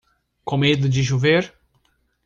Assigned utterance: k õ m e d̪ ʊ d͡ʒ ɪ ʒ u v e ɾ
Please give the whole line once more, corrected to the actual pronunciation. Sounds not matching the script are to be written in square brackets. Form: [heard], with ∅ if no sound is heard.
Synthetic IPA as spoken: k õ m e d̪ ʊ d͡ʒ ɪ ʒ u v e ɾ